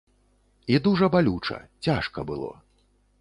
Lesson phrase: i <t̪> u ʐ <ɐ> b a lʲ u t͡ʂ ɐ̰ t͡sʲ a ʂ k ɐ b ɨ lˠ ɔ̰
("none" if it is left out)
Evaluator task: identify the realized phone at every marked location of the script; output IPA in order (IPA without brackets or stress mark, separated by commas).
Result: d̪, ɐ